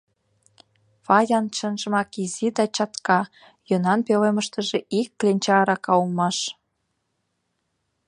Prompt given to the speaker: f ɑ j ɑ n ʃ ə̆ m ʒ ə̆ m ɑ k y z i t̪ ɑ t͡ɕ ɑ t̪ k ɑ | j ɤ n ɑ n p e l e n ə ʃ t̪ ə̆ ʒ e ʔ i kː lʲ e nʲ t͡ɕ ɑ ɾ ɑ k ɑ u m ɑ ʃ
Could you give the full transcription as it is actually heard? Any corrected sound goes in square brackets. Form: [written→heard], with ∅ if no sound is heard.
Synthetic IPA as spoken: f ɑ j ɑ n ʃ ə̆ [m→n] ʒ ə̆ m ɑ k [y→i] z i [t̪→d̪] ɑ t͡ɕ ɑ t̪ k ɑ | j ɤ n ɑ n p e l e [n→m] ə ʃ t̪ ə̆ ʒ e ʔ i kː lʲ e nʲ t͡ɕ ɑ ɾ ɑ k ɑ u m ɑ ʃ